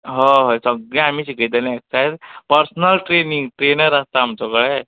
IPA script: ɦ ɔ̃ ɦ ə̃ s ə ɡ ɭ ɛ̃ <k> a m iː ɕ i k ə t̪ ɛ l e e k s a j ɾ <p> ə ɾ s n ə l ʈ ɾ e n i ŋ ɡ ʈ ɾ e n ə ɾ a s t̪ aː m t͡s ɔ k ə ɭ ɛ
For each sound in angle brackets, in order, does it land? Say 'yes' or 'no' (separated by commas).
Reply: no, yes